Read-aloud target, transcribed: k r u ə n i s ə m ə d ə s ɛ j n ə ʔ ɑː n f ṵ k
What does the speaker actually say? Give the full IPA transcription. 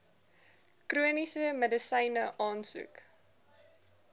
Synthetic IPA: k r u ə n i s ə m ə d ə s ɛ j n ə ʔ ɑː n s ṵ k